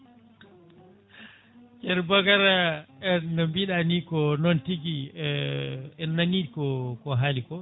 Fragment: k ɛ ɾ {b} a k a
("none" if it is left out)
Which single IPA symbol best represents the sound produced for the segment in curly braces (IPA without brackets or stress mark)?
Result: b